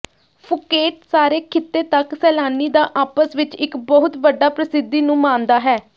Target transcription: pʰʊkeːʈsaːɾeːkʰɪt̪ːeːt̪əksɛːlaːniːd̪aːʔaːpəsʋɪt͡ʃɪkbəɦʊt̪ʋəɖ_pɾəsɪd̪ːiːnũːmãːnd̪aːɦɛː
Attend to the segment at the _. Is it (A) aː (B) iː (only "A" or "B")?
A